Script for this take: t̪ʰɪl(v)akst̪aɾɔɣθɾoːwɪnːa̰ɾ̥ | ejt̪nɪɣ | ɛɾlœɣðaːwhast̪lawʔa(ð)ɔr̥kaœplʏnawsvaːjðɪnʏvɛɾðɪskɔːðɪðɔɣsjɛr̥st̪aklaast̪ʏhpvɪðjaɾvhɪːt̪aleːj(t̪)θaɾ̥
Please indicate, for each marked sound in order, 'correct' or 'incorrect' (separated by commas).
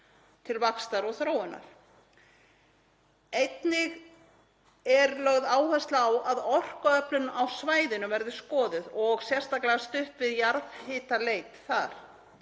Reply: correct, correct, correct